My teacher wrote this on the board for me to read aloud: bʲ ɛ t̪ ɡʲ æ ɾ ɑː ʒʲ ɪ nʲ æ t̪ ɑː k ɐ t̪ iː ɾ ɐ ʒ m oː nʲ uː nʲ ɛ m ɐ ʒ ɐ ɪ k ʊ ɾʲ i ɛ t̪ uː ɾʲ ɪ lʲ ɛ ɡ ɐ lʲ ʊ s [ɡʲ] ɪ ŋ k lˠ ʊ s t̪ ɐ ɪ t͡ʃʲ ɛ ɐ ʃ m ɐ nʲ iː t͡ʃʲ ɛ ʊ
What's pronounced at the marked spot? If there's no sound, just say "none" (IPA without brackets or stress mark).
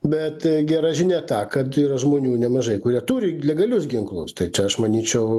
ɡʲ